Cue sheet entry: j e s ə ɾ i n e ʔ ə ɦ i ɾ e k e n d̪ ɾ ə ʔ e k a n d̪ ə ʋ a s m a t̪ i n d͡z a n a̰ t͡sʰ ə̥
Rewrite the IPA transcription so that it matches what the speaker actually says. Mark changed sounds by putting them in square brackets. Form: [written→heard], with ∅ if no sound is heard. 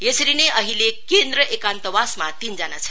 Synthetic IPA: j e s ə ɾ i n e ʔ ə ɦ i [ɾ→l] e k e n d̪ ɾ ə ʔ e k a n [d̪→t̪] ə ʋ a s m a t̪ i n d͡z a n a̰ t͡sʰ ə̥